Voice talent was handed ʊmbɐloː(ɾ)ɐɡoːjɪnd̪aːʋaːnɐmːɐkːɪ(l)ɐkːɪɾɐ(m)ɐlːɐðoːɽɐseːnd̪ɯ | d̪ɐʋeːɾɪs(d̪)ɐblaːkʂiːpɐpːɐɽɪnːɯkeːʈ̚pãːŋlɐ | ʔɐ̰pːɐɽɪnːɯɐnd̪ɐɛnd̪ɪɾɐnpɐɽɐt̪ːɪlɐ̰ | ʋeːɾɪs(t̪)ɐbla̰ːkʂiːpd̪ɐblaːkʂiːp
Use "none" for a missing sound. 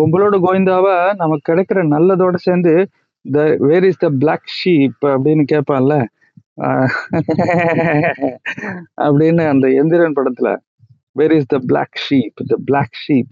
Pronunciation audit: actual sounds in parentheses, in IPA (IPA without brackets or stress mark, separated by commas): ɽ, ɽ, n, d̪, d̪